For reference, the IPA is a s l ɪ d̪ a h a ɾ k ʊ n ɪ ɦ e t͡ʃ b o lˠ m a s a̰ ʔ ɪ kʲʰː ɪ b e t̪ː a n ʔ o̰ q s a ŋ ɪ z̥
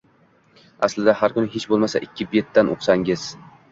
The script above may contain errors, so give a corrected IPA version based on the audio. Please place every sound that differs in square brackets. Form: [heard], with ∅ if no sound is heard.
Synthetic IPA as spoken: a s l ɪ d̪ a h a ɾ k ʊ n ɪ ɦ e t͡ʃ b o lˠ m a s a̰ ʔ ɪ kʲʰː ɪ b e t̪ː a n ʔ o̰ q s a ŋ ɪ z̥